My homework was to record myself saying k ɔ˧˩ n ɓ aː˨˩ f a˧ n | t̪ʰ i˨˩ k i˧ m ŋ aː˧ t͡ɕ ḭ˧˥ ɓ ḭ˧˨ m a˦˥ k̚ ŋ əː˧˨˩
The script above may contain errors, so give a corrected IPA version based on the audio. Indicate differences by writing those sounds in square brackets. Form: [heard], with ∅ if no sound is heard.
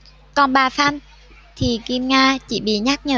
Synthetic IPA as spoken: k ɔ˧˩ n ɓ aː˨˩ f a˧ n | t̪ʰ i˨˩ k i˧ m ŋ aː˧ t͡ɕ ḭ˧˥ ɓ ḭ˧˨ [ɲ] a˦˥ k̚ [ɲ] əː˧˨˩